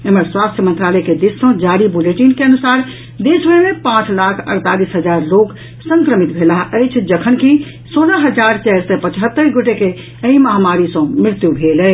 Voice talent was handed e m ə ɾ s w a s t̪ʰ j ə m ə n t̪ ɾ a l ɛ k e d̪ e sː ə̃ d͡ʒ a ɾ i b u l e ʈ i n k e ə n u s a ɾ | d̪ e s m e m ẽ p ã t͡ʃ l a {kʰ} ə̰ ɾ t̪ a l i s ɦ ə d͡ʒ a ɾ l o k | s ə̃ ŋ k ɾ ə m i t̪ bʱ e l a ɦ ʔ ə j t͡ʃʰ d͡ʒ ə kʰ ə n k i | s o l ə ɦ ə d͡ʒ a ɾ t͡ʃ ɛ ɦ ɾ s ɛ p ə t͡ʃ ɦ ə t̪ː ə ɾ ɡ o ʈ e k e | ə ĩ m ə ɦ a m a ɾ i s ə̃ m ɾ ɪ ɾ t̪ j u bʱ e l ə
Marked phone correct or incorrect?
correct